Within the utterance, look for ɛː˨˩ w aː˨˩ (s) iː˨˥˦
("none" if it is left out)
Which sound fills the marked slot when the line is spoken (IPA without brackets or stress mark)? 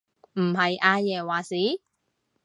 s